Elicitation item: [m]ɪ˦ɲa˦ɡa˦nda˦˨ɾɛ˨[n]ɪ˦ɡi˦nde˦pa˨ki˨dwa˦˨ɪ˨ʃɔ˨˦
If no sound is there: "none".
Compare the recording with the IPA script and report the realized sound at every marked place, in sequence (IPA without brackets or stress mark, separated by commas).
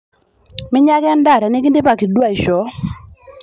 m, n